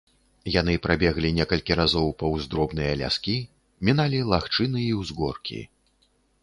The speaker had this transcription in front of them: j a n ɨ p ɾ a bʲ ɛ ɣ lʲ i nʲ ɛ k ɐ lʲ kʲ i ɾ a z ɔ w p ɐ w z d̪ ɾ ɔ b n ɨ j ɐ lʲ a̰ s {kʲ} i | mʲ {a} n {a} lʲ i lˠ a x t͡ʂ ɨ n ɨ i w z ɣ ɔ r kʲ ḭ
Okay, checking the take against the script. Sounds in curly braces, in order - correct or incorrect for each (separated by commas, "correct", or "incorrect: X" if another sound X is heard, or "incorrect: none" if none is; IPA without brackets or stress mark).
correct, incorrect: i, correct